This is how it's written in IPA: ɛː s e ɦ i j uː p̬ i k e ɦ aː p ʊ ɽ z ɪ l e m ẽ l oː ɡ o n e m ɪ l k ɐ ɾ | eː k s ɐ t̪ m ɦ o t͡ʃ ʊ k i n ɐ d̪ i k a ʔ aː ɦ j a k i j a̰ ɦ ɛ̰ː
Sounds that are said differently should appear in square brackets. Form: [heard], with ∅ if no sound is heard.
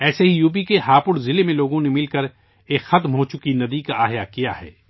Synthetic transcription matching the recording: ɛː s e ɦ i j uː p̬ i k e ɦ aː p ʊ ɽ z ɪ l e m ẽ l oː ɡ [õ] n e m ɪ l k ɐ ɾ | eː k [x] ɐ t̪ m ɦ o t͡ʃ ʊ k i n ɐ d̪ i k a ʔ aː ɦ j a k i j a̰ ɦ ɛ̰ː